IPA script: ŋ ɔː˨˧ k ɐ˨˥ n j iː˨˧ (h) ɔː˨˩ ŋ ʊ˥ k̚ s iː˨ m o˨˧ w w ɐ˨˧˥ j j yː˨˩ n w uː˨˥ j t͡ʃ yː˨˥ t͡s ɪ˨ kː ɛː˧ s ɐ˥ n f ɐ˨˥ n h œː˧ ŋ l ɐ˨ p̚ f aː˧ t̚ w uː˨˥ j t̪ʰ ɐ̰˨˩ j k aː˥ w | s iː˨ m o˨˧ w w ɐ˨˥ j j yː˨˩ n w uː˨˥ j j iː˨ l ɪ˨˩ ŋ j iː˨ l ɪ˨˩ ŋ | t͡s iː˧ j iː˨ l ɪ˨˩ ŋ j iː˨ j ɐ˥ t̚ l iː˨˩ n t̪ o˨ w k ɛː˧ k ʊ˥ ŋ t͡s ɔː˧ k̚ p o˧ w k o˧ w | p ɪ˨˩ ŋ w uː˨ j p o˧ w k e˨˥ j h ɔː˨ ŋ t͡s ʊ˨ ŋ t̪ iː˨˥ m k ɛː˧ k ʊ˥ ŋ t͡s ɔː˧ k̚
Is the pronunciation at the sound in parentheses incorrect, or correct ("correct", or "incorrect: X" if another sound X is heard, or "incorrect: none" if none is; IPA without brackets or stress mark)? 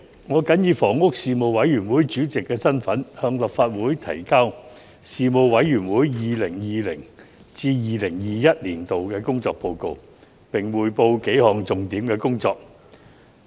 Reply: incorrect: f